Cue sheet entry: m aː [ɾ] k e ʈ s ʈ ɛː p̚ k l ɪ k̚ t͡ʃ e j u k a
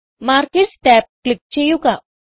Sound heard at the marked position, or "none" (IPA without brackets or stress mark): ɾ